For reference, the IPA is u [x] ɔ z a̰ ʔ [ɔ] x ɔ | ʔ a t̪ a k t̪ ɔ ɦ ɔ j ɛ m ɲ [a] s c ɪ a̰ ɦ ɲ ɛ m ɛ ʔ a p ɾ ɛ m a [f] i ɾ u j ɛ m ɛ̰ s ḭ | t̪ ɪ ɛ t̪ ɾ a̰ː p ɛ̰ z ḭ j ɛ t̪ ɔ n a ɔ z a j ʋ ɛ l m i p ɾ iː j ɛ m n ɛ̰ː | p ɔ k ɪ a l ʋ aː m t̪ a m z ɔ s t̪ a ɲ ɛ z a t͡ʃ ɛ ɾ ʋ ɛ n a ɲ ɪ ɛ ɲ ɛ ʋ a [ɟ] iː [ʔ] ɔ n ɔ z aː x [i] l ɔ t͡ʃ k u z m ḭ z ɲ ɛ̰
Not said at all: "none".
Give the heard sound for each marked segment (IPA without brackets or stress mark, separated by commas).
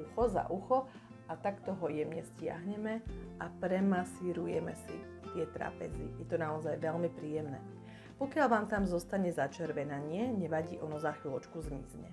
x, u, ɛ, s, ɟ, ʔ, i